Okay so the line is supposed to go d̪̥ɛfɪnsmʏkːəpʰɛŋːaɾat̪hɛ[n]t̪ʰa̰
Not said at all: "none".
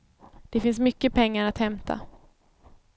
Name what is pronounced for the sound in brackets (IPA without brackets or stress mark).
m